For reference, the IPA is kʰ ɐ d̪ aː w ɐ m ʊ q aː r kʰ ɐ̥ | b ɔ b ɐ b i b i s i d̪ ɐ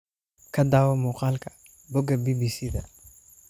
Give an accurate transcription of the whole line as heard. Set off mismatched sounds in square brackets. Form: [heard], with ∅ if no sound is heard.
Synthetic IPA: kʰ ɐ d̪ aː w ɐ m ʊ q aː [l] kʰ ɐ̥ | b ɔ [ɡ] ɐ b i b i s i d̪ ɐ